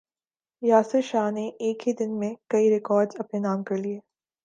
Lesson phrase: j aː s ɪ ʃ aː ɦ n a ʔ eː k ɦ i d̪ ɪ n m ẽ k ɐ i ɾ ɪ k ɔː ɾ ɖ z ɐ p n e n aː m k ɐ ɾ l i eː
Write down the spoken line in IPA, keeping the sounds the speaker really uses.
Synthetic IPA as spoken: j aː s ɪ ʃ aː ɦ n e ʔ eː k ɦ i d̪ ɪ n m ẽ k ɐ i ɾ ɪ k ɔː ɾ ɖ z ɐ p n e n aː m k ɐ ɾ l i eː